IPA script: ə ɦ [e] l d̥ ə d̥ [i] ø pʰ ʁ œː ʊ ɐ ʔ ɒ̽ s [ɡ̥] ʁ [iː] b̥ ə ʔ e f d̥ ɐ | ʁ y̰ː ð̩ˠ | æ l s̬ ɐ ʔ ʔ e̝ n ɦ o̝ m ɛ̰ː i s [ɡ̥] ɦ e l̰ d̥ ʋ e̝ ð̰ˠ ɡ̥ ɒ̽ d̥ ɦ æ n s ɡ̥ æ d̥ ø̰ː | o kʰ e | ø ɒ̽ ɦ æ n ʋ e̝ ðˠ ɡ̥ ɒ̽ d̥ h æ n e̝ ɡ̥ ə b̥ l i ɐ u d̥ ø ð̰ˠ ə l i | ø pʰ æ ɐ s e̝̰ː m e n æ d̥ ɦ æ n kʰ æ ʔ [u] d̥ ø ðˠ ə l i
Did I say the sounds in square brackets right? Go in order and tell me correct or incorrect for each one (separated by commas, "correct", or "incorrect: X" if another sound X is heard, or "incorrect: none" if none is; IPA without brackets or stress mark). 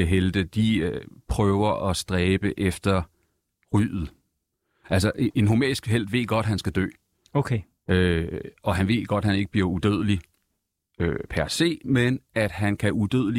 correct, correct, incorrect: d̥, incorrect: ɛː, correct, correct